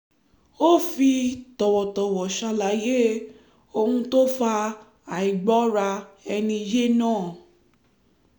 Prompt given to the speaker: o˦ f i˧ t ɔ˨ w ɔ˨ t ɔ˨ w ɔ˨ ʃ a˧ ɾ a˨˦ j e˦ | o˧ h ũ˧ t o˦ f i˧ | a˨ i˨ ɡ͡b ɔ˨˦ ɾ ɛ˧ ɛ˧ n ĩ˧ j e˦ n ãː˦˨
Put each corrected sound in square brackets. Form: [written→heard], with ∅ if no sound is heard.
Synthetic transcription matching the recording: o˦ f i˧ t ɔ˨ w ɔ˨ t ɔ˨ w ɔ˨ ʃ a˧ [ɾ→l] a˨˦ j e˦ | o˧ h ũ˧ t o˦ f [i˧→a˧] | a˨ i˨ ɡ͡b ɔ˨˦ ɾ [ɛ˧→a˧] ɛ˧ n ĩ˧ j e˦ n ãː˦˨

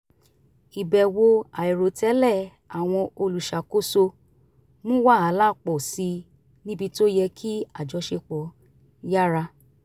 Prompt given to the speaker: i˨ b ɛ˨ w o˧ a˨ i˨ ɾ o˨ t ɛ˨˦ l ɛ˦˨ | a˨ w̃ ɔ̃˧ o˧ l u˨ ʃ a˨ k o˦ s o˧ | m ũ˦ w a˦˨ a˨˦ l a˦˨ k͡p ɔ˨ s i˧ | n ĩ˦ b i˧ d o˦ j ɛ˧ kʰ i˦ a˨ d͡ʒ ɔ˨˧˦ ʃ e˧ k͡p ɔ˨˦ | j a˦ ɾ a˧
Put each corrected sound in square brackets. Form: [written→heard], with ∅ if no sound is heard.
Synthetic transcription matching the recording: i˨ b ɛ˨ w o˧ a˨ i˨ ɾ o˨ t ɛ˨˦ l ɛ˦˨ | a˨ w̃ ɔ̃˧ o˧ l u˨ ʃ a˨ k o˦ s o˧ | m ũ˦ w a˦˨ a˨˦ l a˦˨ k͡p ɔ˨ s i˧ | n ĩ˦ b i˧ [d→t] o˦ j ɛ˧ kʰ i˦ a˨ d͡ʒ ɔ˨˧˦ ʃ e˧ k͡p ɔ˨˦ | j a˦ ɾ a˧

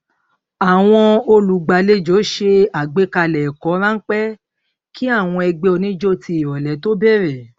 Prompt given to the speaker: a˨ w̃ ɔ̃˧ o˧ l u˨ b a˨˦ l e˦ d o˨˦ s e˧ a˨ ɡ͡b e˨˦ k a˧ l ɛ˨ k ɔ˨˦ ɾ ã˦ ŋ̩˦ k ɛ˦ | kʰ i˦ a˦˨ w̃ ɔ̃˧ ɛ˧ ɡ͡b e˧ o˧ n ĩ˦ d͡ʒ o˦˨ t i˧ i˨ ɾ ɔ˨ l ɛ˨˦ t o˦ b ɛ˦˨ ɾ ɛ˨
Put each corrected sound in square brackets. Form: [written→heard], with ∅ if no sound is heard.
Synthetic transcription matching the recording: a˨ w̃ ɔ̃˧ o˧ l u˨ [b→ɡ͡b] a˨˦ l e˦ [d→d͡ʒ] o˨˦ [s→ʃ] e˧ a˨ ɡ͡b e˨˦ k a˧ l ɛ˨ k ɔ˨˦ ɾ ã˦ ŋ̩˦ [k→k͡p] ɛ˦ | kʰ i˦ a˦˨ w̃ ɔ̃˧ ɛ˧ ɡ͡b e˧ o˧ n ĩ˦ d͡ʒ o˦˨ t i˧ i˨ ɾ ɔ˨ l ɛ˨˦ t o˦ b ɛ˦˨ ɾ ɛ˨

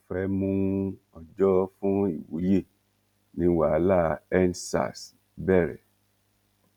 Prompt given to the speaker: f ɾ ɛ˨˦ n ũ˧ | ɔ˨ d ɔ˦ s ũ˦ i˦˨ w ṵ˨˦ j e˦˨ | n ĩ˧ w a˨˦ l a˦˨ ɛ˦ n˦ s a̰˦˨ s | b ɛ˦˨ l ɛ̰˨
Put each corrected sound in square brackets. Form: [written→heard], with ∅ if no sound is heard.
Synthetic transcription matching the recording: f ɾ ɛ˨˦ [n→m] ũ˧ | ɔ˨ [d→d͡ʒ] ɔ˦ [s→f] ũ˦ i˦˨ w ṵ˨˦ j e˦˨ | n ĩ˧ w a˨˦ l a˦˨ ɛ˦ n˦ s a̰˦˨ s | b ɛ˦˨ [l→ɾ] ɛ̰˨

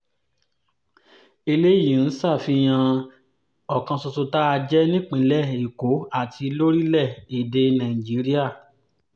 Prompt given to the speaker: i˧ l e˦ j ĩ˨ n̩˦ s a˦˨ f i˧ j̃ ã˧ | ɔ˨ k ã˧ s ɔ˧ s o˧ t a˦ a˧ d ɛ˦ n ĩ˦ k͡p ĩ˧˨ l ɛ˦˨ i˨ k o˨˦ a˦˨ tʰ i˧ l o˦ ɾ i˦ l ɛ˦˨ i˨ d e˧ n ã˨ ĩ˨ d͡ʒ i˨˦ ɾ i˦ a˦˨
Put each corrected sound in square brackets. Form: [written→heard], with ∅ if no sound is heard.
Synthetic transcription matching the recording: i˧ l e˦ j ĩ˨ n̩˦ s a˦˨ f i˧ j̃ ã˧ | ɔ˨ k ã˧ s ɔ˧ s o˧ t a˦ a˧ [d→d͡ʒ] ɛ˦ n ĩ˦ k͡p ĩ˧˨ l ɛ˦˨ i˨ k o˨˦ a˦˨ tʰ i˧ l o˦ ɾ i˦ l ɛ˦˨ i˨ d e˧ n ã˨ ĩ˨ d͡ʒ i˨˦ ɾ i˦ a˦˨

